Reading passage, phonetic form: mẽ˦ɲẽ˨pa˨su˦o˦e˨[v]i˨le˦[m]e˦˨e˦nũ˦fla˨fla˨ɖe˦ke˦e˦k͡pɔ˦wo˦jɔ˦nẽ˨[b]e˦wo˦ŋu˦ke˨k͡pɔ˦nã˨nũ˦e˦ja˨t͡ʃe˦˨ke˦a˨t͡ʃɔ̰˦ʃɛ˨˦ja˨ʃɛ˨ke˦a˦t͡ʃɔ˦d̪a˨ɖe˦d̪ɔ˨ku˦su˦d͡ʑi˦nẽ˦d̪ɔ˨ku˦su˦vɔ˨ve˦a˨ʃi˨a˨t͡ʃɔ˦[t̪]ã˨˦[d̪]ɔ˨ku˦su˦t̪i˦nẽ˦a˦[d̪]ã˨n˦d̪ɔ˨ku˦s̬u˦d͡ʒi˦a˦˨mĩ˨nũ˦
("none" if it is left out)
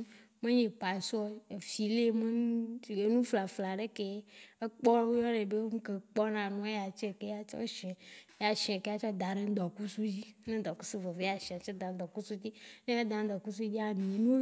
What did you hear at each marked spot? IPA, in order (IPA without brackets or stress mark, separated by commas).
f, m, b, d̪, d̪, d̪